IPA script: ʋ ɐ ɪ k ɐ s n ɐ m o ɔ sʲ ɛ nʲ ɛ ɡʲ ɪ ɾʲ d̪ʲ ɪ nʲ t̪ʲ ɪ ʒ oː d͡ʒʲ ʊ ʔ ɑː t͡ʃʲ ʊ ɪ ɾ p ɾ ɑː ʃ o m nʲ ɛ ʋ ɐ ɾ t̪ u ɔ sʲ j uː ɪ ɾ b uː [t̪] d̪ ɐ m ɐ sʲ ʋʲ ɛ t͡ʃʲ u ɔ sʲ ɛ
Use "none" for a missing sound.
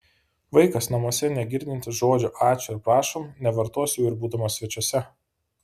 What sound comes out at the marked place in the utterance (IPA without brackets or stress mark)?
none